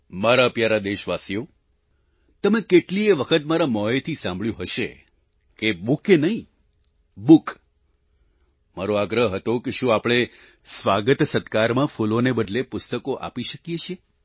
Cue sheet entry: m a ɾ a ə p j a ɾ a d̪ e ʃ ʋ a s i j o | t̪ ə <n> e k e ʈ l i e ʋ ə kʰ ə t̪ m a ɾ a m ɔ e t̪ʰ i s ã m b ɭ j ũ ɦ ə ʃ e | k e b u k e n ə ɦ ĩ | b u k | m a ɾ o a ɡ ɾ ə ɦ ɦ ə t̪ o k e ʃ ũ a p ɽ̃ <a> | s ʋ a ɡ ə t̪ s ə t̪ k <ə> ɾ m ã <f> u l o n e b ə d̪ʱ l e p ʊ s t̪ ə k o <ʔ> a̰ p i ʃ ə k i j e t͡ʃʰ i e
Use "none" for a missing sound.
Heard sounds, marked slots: m, e, a, f, ʔ

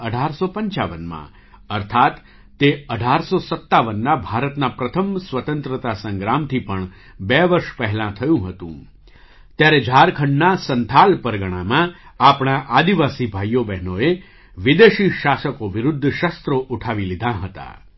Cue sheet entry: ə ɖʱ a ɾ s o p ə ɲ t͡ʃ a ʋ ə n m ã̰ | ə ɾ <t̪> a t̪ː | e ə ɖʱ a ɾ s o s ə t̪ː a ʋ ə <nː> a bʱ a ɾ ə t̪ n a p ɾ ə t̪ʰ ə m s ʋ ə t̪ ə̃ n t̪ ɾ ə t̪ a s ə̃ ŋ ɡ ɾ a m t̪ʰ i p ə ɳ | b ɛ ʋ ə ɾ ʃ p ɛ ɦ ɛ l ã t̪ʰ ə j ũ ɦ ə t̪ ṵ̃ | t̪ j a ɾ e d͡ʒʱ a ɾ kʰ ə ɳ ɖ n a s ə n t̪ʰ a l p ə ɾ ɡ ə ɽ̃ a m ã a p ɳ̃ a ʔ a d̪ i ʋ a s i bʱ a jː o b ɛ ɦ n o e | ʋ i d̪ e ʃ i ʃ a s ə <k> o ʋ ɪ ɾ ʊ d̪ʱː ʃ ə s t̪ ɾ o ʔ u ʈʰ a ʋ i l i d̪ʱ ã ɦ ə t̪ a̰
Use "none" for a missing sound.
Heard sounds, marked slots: t̪ʰ, nː, k

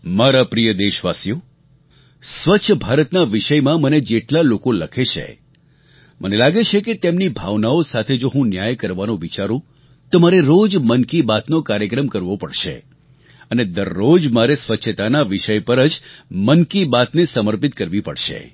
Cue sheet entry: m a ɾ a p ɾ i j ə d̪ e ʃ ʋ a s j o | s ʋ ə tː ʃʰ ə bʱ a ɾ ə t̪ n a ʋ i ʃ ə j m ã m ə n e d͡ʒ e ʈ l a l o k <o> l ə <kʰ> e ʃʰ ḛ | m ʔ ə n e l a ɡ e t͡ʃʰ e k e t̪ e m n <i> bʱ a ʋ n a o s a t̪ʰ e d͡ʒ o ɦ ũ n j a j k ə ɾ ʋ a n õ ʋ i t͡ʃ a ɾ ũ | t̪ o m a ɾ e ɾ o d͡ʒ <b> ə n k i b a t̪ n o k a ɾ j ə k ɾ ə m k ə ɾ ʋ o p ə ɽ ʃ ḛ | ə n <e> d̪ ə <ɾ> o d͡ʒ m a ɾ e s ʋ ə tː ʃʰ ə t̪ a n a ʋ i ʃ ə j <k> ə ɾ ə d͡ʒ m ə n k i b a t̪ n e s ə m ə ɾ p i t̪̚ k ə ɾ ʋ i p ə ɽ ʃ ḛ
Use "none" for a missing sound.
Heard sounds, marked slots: o, kʰ, i, m, e, ɾː, p

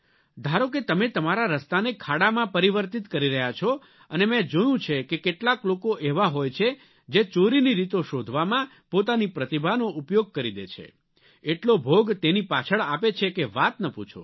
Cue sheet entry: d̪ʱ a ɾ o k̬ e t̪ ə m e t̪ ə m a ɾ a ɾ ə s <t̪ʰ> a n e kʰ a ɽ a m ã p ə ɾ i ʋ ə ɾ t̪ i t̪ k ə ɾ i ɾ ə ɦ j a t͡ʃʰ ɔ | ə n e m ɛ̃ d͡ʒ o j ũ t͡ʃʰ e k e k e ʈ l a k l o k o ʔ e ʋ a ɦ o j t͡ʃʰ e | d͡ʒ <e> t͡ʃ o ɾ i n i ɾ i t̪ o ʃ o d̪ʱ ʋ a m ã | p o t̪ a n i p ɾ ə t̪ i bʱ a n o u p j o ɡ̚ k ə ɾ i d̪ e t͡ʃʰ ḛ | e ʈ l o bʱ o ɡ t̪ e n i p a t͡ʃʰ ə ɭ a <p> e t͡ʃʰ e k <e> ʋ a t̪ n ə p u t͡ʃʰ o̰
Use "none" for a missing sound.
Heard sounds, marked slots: t̪, e, p, e

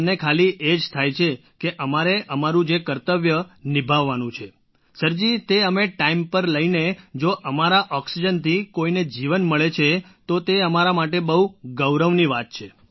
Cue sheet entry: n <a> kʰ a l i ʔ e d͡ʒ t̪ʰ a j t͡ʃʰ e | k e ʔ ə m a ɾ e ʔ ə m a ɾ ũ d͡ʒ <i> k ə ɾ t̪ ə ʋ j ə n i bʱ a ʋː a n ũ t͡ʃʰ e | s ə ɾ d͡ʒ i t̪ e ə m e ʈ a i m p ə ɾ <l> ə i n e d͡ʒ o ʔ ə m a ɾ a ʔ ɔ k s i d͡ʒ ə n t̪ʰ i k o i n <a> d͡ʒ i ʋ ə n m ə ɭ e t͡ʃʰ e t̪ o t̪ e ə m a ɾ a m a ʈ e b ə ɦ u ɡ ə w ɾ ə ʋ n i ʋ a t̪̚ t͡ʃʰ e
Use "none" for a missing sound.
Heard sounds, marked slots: e, e, l, e

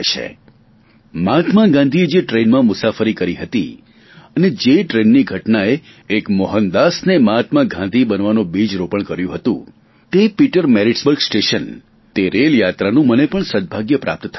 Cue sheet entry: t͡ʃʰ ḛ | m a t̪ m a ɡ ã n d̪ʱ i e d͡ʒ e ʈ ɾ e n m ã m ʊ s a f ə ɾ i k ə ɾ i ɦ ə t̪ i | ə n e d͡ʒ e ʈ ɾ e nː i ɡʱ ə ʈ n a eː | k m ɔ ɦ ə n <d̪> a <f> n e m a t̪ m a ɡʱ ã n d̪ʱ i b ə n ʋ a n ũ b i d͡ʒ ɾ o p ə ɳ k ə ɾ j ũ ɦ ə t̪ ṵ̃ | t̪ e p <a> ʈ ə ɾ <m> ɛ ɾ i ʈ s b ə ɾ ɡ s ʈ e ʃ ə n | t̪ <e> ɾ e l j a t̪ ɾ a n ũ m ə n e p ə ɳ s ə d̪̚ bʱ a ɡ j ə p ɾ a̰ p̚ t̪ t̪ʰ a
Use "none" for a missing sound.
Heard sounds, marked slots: d̪, s, i, m, e

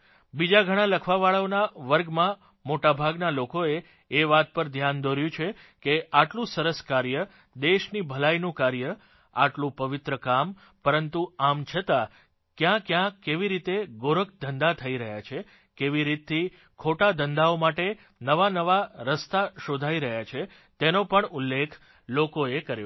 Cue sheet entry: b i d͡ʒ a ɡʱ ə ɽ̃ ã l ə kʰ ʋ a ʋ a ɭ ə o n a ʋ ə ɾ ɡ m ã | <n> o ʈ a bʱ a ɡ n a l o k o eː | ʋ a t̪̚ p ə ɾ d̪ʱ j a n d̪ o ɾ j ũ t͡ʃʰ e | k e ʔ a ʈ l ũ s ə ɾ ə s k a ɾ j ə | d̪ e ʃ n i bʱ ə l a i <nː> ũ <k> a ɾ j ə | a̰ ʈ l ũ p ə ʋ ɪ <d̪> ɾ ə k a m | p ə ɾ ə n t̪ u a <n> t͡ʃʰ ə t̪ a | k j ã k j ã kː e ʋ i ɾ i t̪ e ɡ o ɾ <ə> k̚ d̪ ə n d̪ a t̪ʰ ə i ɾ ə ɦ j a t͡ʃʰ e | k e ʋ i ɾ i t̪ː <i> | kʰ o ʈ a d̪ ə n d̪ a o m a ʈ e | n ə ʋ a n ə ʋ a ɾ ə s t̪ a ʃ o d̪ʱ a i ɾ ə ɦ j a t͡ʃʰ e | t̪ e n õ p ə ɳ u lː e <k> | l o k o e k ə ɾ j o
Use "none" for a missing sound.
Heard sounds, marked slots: m, n, k, t̪, m, ə, i, kʰ

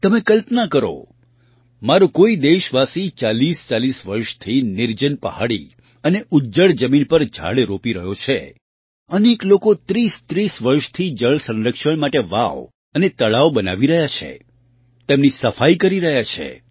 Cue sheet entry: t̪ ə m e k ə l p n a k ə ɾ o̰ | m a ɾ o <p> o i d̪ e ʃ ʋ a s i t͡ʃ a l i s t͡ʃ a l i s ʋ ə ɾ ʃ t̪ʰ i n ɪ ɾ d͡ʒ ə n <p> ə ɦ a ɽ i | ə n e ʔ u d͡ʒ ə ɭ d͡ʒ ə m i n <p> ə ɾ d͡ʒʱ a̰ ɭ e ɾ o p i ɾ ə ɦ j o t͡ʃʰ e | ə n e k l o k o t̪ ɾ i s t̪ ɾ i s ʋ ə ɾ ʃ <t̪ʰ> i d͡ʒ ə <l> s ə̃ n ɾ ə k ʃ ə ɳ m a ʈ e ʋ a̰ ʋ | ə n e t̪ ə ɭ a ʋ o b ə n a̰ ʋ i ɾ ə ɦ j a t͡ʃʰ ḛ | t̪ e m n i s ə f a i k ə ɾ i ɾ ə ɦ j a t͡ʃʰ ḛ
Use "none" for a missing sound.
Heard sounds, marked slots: k, p, p, t̪ʰ, ɭ

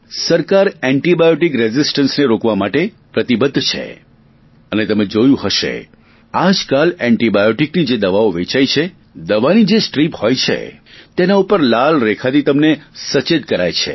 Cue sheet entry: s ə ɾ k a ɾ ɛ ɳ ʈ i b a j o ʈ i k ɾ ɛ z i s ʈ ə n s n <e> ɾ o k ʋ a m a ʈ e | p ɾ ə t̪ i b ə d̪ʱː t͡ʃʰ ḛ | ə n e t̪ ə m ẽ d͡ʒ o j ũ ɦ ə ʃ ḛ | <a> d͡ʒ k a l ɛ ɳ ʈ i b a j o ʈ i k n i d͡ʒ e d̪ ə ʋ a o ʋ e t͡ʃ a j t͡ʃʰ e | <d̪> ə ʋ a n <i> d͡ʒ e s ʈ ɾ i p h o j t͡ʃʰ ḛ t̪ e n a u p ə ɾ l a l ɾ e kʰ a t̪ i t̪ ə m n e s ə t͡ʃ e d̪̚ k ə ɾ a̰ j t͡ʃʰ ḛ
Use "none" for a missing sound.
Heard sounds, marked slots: e, a, d̪, i

